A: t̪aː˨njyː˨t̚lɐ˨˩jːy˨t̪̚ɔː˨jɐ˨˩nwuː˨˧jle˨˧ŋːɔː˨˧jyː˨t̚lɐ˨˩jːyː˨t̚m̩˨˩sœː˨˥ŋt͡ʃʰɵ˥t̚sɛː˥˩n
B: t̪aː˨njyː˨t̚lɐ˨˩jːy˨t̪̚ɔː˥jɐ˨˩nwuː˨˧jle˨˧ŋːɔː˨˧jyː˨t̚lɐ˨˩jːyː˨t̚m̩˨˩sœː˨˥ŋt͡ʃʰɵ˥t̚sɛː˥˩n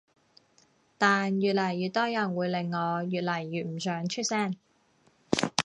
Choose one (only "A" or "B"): B